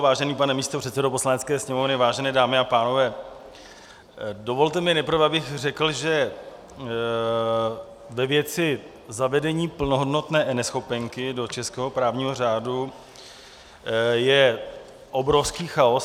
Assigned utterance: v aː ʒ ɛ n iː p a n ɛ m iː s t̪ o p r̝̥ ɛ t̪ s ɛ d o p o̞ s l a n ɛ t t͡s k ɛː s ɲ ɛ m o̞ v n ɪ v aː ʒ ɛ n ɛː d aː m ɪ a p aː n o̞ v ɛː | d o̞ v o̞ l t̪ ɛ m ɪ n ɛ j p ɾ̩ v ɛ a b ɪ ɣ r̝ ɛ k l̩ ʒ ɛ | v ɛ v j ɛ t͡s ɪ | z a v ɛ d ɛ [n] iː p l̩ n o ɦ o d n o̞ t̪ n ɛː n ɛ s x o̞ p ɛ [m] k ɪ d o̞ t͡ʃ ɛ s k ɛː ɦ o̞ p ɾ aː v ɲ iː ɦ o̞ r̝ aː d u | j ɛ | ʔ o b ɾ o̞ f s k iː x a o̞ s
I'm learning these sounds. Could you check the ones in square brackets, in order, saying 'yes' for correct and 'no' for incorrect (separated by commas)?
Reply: no, no